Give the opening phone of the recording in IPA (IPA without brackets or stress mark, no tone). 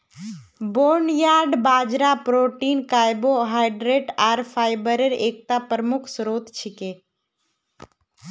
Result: b